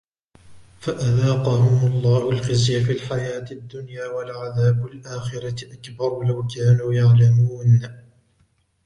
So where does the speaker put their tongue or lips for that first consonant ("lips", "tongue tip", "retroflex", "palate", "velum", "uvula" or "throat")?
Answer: lips